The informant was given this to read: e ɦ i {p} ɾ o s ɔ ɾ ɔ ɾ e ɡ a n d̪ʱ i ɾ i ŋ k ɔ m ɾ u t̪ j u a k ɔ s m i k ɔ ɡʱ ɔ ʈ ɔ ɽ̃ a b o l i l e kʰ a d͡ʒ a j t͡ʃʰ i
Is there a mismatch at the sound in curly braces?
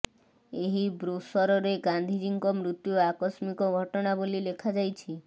yes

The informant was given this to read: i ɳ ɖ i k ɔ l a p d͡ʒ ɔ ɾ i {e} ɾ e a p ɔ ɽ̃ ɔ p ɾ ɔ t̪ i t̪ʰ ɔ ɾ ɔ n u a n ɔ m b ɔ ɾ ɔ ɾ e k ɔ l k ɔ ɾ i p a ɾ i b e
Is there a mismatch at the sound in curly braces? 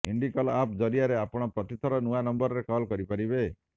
yes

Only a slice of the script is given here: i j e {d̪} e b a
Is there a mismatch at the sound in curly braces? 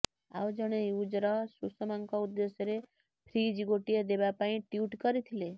no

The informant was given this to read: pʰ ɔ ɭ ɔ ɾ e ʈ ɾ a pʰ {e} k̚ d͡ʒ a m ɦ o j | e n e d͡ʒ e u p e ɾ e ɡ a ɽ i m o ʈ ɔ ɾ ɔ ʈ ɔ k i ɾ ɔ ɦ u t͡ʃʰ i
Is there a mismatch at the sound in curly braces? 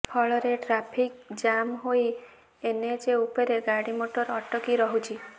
yes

